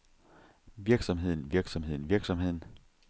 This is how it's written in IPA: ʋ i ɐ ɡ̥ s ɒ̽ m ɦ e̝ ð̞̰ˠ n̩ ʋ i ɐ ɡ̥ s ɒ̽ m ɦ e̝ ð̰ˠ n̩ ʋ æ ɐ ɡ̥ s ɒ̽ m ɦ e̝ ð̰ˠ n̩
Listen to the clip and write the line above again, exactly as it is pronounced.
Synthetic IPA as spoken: ʋ i ɐ ɡ̥ s ɒ̽ m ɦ e̝ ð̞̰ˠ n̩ ʋ i ɐ ɡ̥ s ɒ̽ m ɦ e̝ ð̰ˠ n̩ ʋ i ɐ ɡ̥ s ɒ̽ m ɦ e̝ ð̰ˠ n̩